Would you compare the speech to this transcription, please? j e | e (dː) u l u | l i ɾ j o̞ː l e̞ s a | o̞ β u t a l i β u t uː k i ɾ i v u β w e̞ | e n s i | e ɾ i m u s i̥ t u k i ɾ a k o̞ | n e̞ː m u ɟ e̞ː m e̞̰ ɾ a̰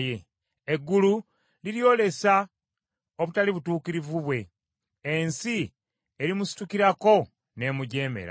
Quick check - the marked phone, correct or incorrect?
incorrect